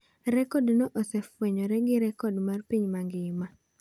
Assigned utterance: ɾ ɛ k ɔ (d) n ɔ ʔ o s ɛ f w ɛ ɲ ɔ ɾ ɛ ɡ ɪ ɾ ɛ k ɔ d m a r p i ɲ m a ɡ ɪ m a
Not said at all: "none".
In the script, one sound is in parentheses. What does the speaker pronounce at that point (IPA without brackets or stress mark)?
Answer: d